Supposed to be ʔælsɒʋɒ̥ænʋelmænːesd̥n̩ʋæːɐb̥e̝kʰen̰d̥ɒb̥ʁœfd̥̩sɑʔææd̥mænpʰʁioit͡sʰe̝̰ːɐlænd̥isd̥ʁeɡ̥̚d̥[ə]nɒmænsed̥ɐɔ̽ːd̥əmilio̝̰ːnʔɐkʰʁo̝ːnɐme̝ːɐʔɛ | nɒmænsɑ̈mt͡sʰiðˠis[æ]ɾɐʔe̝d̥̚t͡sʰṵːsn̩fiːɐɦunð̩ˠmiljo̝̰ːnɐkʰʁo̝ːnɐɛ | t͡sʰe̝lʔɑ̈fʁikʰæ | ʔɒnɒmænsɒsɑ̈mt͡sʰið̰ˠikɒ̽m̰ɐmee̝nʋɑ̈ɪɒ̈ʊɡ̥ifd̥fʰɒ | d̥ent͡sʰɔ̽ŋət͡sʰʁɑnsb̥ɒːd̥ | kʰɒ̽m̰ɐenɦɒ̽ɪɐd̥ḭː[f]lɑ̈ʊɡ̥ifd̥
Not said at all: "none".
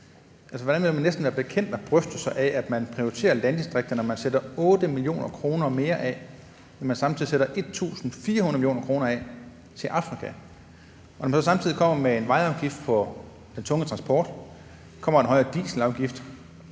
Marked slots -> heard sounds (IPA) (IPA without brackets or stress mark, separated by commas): ɐ, e, s